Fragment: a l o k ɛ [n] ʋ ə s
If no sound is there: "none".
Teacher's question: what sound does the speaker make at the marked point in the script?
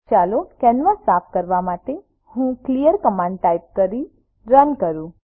n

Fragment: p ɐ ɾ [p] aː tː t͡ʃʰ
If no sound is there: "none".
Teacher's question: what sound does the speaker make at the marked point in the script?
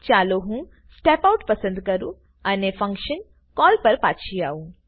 p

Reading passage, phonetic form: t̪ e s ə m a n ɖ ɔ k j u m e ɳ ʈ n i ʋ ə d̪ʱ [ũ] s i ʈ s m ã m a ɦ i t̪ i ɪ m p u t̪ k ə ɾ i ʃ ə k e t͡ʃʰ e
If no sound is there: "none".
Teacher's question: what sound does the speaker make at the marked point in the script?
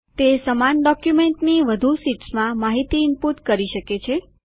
u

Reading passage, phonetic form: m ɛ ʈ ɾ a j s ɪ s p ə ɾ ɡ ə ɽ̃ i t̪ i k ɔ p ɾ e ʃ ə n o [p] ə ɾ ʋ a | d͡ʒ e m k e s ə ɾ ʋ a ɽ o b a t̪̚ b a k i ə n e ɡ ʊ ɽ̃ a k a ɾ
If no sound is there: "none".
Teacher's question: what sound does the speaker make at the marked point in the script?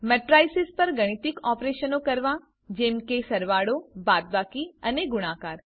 k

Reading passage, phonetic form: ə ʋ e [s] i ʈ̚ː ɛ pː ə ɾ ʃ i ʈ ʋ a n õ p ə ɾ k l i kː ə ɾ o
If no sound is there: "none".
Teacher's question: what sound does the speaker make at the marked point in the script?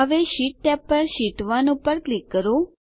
ʃ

